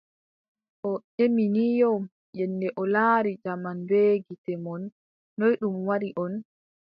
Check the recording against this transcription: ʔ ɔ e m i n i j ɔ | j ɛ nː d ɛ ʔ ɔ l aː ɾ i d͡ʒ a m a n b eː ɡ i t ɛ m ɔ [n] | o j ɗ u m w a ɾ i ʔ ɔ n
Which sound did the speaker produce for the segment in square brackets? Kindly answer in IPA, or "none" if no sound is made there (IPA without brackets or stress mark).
nː